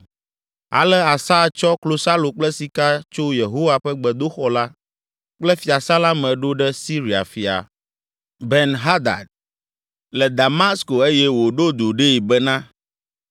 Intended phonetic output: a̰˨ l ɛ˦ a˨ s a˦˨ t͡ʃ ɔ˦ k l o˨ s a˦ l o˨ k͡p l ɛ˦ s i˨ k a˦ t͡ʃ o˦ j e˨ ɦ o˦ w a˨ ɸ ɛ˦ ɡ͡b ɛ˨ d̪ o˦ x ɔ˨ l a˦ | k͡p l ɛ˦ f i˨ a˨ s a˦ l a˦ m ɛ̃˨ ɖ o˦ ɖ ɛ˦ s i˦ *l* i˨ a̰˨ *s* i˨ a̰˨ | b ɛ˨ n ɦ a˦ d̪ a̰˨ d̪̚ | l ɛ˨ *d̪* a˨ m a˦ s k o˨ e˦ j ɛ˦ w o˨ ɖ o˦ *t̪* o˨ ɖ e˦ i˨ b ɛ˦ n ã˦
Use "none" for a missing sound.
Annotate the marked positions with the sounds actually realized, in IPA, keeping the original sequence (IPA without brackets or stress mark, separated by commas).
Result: ɾ, f, d̪, d̪